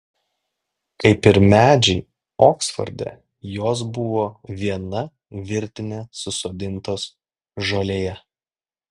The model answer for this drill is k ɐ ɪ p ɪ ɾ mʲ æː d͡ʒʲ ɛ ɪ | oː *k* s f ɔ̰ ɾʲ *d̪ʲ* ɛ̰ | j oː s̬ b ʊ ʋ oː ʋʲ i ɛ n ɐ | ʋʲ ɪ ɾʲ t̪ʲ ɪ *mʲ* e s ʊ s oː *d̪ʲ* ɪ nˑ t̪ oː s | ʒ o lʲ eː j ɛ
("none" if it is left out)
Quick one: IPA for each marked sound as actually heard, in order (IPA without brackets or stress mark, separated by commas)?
k, d̪ʲ, nʲ, d̪ʲ